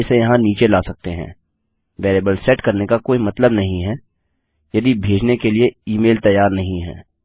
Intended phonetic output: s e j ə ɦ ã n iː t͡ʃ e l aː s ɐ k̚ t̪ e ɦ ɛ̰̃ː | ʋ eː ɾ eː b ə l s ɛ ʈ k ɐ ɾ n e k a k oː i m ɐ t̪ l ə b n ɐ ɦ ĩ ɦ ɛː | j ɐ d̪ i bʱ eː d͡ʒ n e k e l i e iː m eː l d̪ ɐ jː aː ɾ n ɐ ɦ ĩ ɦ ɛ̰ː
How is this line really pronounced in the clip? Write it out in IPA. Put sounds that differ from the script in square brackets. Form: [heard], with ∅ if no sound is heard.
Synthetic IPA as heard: s e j [ɐ] ɦ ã n iː t͡ʃ e l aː s ɐ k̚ t̪ e ɦ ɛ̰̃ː | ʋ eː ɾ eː b ə l s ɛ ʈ k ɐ ɾ n e k a k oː i m ɐ t̪ l ə b n ɐ ɦ ĩ ɦ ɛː | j ɐ d̪ i bʱ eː d͡ʒ n e k e l i e iː m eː l [t̪] ɐ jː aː ɾ n ɐ ɦ ĩ ɦ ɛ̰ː